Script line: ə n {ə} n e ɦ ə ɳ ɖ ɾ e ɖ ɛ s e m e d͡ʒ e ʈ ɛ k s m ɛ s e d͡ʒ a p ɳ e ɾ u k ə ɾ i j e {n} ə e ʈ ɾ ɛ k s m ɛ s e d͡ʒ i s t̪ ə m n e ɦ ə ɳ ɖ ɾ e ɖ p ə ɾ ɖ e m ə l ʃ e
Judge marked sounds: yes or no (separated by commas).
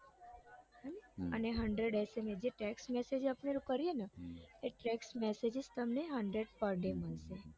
yes, yes